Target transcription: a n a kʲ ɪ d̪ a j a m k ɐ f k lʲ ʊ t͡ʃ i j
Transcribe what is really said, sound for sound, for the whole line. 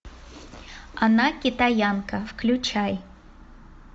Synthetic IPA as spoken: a n a kʲ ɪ t̪ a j a n k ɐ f k lʲ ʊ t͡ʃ a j